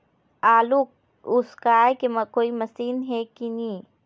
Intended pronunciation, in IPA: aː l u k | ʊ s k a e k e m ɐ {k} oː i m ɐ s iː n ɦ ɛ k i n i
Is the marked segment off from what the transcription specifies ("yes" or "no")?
no